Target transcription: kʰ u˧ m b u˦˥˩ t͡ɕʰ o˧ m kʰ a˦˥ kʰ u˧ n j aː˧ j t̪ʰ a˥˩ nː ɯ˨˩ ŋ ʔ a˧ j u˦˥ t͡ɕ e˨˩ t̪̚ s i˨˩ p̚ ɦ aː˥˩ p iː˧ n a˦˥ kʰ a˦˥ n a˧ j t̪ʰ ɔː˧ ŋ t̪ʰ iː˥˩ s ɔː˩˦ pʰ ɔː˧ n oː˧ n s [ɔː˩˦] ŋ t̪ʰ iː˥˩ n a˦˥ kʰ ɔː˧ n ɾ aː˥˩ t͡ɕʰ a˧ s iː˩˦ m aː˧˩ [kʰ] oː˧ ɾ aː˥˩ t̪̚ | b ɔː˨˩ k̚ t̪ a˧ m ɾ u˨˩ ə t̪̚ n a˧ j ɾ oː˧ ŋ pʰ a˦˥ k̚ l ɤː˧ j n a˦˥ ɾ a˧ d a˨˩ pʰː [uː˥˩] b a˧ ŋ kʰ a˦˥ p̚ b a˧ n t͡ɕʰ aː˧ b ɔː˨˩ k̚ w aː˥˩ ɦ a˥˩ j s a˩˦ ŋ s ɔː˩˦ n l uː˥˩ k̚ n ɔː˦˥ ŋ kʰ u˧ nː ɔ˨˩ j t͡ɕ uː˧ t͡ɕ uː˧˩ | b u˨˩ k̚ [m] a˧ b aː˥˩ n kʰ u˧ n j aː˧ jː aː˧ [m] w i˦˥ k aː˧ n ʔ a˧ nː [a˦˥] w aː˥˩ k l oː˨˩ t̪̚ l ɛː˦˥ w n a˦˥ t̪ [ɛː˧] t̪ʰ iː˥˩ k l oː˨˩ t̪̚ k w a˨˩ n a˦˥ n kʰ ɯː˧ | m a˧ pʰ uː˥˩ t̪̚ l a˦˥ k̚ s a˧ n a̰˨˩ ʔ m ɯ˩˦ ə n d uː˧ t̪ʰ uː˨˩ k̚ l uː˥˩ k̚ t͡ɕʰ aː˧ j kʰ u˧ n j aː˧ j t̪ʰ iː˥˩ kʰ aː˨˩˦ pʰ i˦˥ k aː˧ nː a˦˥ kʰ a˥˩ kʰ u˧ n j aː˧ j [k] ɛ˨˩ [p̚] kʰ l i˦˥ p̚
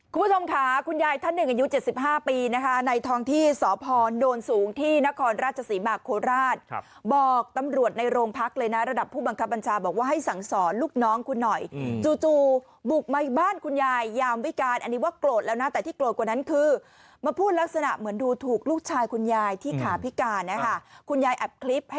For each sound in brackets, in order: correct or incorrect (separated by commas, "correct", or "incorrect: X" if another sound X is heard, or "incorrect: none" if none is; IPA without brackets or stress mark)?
incorrect: uː˩˦, correct, correct, correct, correct, incorrect: i˦˥, incorrect: ɛː˨˩, incorrect: ʔ, correct